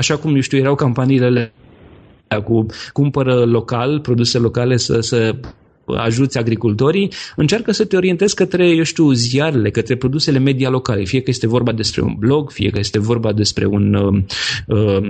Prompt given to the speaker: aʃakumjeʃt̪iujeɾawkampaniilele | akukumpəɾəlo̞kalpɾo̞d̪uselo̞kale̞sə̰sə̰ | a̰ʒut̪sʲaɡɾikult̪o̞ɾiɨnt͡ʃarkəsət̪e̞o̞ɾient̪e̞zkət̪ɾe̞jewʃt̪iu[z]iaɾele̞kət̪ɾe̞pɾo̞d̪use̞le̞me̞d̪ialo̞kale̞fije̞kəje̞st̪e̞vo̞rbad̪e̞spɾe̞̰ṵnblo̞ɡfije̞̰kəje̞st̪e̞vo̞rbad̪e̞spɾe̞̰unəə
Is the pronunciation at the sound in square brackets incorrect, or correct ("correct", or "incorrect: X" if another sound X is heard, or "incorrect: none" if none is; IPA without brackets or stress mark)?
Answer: correct